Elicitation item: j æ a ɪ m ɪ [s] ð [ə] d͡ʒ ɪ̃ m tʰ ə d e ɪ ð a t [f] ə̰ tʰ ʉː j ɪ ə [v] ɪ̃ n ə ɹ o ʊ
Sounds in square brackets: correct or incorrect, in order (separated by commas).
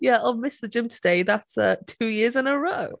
correct, correct, incorrect, incorrect